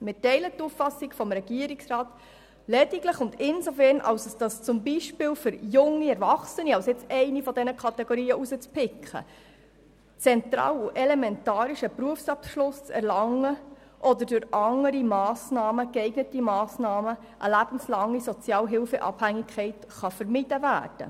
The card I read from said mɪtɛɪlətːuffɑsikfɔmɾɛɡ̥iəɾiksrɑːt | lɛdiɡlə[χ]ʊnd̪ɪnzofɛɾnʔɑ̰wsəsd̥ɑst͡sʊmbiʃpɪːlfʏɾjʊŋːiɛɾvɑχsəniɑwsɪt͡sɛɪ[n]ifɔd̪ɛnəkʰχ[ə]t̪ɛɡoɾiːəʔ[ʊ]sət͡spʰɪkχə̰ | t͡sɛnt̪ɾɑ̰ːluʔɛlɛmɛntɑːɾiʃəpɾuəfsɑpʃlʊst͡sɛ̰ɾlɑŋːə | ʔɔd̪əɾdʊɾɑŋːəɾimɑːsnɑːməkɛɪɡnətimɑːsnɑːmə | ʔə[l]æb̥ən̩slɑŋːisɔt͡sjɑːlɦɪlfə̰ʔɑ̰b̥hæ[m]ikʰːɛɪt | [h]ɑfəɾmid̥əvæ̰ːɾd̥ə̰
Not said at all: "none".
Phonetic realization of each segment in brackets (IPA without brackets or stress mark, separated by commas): χ, n, ɑ, u, l, ŋ, χ